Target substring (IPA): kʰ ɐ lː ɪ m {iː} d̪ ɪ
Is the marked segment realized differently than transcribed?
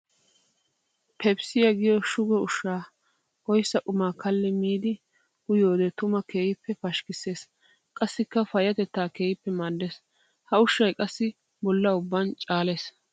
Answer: no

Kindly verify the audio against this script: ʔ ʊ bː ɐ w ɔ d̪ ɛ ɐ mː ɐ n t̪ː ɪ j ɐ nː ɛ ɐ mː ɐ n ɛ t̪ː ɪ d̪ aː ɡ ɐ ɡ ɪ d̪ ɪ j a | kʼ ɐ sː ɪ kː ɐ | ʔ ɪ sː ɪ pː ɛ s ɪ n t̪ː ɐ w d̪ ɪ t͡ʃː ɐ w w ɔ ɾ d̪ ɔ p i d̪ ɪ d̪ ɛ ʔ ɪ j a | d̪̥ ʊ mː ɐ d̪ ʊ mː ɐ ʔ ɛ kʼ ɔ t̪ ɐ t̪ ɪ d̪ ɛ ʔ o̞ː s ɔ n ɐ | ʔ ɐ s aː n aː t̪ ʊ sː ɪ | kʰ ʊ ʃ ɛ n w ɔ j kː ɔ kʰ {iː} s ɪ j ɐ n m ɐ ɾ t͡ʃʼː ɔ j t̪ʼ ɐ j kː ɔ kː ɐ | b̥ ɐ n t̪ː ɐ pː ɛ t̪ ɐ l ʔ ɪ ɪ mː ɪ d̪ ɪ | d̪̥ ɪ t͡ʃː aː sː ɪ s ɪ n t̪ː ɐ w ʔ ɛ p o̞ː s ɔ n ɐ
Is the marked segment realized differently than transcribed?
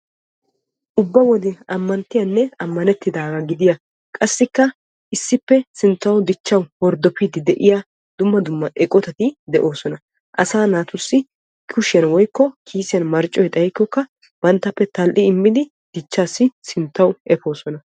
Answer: no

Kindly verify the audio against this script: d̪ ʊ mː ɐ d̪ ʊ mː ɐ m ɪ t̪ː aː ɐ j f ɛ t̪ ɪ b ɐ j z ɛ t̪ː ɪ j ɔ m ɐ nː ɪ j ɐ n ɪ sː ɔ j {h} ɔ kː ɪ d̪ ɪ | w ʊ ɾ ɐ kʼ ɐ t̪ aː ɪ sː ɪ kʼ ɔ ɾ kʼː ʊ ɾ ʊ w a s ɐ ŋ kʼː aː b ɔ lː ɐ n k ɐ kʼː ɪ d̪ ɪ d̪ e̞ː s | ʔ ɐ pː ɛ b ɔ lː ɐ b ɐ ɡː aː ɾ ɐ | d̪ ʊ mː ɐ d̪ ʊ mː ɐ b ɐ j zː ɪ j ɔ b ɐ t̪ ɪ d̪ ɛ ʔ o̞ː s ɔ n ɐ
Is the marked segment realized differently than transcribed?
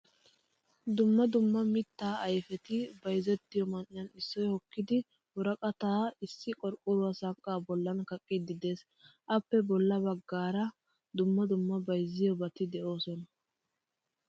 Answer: no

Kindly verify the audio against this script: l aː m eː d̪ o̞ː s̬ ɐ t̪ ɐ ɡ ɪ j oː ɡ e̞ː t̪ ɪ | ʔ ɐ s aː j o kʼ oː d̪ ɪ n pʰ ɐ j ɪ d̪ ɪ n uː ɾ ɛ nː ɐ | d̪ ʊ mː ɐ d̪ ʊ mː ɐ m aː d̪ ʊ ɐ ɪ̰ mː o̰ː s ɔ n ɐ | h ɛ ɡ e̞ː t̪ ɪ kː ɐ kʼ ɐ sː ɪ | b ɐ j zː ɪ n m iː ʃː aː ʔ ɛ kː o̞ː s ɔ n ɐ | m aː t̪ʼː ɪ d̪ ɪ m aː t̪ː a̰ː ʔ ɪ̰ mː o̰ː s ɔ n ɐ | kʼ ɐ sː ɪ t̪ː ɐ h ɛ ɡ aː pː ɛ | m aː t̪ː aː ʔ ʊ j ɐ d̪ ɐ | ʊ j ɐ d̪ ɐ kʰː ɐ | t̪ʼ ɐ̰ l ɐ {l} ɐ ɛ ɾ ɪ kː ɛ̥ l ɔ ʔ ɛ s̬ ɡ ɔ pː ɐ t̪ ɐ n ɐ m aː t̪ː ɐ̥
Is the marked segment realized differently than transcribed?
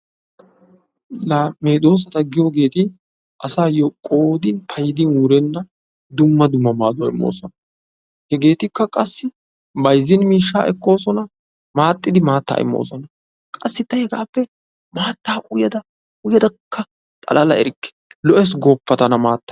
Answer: no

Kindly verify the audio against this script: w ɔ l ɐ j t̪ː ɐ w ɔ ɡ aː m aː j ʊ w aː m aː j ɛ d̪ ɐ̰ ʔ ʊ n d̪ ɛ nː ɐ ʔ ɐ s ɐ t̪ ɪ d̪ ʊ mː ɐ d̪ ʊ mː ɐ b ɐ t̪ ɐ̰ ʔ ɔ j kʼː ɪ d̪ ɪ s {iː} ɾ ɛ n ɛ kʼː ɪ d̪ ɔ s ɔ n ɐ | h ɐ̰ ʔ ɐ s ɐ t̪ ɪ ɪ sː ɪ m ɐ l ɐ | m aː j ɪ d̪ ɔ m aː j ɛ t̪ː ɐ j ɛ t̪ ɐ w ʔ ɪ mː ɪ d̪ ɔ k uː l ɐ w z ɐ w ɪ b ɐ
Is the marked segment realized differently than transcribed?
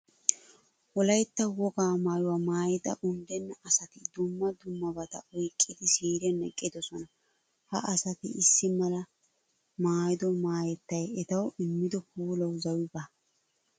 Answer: no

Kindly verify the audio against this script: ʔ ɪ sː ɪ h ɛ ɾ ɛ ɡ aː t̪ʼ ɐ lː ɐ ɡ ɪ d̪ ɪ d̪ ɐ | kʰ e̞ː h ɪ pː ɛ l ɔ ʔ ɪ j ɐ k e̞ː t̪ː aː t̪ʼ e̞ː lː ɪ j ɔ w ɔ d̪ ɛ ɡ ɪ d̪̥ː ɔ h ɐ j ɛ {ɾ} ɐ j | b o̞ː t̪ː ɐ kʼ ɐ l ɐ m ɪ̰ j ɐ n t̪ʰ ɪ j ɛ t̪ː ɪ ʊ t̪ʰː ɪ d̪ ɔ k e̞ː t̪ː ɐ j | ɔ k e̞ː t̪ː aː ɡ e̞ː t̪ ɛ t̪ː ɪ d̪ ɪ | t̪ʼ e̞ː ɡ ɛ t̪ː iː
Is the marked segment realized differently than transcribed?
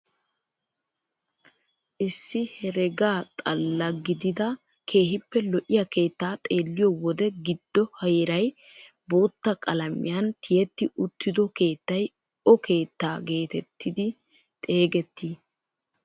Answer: no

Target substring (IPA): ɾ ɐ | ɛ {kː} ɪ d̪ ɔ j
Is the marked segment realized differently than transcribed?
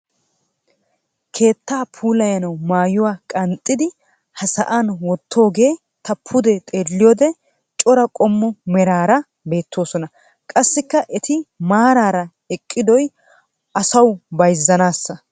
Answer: yes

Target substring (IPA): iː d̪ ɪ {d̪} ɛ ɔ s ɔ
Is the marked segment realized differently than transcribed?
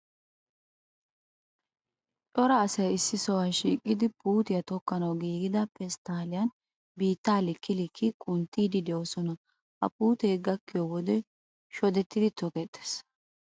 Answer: no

